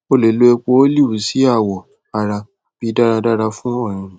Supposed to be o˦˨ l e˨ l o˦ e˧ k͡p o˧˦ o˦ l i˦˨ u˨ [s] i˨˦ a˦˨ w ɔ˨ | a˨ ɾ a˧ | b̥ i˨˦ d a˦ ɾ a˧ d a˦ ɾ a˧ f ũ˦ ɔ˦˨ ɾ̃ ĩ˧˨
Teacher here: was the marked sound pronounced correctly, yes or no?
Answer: yes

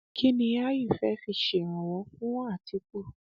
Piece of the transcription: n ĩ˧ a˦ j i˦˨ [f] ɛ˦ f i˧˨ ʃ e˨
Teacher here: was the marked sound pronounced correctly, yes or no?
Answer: yes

